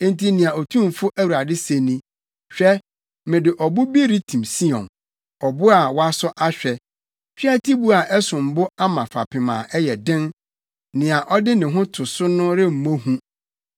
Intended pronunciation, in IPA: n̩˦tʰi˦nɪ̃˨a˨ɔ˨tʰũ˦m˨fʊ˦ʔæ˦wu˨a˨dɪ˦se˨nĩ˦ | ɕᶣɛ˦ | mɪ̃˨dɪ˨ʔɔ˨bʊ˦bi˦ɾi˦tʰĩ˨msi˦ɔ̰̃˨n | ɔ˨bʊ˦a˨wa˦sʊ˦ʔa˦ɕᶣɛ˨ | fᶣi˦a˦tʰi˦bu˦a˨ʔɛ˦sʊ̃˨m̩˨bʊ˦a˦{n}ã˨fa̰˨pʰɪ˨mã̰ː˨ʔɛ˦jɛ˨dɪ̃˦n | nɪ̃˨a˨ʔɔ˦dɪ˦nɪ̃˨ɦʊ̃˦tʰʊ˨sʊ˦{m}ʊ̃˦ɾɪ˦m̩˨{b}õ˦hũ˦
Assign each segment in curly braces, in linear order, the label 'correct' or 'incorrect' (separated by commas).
incorrect, incorrect, incorrect